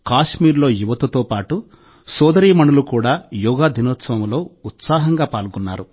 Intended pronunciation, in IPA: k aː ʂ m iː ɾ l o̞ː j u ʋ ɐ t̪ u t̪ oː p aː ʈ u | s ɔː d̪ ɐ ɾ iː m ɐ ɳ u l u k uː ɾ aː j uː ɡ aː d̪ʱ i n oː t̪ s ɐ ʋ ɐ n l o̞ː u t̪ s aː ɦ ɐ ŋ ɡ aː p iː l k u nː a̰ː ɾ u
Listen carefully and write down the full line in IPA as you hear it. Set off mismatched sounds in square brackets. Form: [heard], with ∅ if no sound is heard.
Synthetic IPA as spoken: k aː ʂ m iː ɾ l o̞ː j u ʋ ɐ t̪ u t̪ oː p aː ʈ u | s ɔː d̪ ɐ ɾ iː m ɐ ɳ u l u k uː [ɽ] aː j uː ɡ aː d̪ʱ i n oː t̪ s ɐ ʋ ɐ [m] l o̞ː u t̪ s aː ɦ ɐ ŋ ɡ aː p [aː] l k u nː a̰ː ɾ u